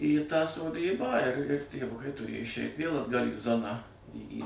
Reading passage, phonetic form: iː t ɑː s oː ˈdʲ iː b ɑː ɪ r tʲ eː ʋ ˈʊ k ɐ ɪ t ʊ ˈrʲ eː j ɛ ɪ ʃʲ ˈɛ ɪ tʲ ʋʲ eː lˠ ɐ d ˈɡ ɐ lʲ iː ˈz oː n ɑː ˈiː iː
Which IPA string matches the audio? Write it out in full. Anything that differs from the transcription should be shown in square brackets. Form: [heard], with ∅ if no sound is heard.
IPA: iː t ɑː s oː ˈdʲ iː b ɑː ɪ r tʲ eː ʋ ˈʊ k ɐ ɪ t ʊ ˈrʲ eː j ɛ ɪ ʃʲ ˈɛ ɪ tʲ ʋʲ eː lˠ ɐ d ˈɡ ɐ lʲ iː ˈz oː n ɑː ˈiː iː

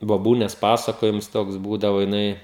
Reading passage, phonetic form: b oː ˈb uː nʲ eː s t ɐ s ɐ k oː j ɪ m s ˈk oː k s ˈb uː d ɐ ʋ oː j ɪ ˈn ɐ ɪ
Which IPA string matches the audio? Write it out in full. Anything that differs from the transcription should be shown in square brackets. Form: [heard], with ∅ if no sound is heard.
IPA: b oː ˈb uː nʲ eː s [p] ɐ s ɐ k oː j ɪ m s [ˈt] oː k s ˈb uː d ɐ ʋ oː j ɪ ˈn ɐ ɪ

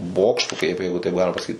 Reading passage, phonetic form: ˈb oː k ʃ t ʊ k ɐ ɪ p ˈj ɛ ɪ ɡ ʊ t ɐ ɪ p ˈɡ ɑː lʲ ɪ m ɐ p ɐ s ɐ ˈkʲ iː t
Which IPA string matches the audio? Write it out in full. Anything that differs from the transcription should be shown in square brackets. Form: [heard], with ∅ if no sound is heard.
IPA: ˈb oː k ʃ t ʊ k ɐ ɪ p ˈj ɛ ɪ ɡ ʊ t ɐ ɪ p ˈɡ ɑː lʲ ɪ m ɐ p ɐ s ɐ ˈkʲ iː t

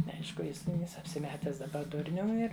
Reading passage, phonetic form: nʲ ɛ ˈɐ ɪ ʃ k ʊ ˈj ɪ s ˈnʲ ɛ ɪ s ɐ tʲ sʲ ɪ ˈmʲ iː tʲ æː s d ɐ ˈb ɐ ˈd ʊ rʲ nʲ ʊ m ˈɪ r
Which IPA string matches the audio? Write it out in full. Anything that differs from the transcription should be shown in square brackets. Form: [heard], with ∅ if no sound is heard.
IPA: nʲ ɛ ˈɐ ɪ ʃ k ʊ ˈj ɪ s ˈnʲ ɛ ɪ s ɐ [pʲ] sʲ ɪ ˈmʲ [æː] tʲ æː s d ɐ ˈb ɐ ˈd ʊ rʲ nʲ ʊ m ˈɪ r

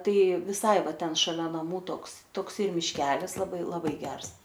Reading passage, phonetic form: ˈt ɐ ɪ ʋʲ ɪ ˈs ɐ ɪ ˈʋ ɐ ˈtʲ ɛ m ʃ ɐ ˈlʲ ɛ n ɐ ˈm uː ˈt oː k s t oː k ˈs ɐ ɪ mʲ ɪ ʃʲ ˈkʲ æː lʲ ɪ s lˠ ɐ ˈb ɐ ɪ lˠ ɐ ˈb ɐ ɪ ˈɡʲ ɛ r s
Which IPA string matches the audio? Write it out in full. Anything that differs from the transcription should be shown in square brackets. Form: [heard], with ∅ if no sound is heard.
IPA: ˈt ɐ ɪ ʋʲ ɪ ˈs ɐ ɪ ˈʋ ɐ ˈtʲ ɛ [n] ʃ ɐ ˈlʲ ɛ n ɐ ˈm uː ˈt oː k s t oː k ˈs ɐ ɪ mʲ ɪ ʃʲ ˈkʲ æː lʲ ɪ s lˠ ɐ ˈb ɐ ɪ lˠ ɐ ˈb ɐ ɪ ˈɡʲ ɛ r s

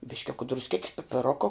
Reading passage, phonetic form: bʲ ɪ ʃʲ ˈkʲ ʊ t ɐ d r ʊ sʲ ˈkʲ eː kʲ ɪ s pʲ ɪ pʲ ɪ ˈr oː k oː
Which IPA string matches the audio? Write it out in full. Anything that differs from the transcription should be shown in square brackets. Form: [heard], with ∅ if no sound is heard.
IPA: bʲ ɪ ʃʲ ˈkʲ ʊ [k] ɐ d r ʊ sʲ ˈkʲ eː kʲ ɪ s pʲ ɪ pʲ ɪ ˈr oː k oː

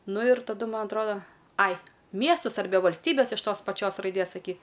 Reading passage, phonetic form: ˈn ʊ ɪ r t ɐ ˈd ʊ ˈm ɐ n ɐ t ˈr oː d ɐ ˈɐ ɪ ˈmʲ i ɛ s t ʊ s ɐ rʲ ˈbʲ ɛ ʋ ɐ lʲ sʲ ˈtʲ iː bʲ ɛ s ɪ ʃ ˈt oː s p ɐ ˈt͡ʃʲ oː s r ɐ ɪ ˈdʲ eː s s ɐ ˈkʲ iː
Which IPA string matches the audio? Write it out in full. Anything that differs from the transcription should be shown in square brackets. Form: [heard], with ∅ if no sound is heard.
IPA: ˈn ʊ ɪ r t ɐ ˈd ʊ ˈm ɐ n ɐ t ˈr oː d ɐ ˈɐ ɪ ˈmʲ i ɛ s t ʊ s ɐ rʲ ˈbʲ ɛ ʋ ɐ lʲ sʲ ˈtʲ iː bʲ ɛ s ɪ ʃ ˈt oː s p ɐ ˈt͡ʃʲ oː s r ɐ ɪ ˈdʲ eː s s ɐ ˈkʲ iː

